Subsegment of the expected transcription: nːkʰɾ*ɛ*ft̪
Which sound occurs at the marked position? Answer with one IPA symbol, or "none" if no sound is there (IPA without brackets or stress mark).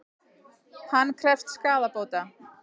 ɛ